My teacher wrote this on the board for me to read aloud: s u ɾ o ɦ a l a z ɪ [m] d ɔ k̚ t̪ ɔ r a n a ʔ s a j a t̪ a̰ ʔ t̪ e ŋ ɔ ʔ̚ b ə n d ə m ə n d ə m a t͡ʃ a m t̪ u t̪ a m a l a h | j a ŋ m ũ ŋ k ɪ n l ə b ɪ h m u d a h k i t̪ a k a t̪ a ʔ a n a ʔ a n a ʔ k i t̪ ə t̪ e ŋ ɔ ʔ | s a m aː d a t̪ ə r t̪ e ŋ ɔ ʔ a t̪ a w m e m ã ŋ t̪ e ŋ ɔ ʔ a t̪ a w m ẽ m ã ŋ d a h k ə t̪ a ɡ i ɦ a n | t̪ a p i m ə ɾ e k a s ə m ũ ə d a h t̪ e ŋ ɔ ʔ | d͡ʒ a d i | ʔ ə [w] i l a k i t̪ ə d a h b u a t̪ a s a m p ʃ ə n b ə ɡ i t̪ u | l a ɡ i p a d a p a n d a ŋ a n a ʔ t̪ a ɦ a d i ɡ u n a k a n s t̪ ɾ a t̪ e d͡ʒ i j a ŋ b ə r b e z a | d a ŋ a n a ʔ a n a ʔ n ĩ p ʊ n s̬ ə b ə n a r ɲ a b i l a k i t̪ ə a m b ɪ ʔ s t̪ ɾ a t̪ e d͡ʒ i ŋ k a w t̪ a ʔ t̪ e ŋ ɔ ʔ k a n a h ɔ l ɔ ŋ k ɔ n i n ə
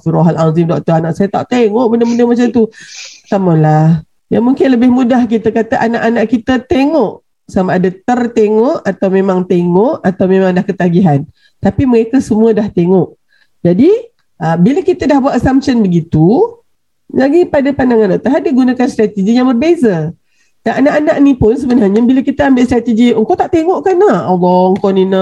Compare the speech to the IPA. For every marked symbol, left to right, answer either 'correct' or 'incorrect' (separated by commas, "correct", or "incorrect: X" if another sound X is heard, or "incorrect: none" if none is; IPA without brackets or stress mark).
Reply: correct, incorrect: b